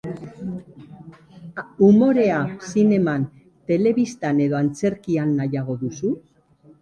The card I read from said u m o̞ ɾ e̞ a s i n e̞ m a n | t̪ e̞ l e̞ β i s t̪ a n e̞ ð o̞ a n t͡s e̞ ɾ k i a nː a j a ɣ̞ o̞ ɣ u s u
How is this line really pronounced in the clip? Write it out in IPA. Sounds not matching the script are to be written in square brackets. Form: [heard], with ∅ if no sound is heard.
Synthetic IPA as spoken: u m o̞ ɾ e̞ a s i n e̞ m a n | t̪ e̞ l e̞ β i s t̪ a n e̞ ð o̞ a n t͡s e̞ ɾ k i a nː a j a ɣ̞ o̞ [ð] u s u

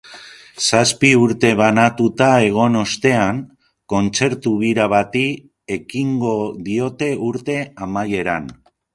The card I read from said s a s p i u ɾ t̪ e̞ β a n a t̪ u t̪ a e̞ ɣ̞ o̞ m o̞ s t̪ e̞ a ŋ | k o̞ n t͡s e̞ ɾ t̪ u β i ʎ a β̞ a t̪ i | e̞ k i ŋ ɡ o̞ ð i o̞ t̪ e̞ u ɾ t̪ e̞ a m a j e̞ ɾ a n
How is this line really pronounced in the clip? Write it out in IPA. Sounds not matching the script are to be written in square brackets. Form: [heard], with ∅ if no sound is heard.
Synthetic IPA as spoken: s a s p i u ɾ t̪ e̞ β a n a t̪ u t̪ a e̞ ɣ̞ o̞ [n] o̞ s t̪ e̞ a ŋ | k o̞ n t͡s e̞ ɾ t̪ u β i [ɾ] a β̞ a t̪ i | e̞ k i ŋ ɡ o̞ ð i o̞ t̪ e̞ u ɾ t̪ e̞ a m a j e̞ ɾ a n

